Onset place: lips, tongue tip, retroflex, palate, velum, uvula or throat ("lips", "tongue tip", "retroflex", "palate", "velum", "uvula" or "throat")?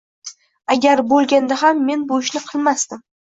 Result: velum